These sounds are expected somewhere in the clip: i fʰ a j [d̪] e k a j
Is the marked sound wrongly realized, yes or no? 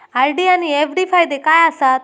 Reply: no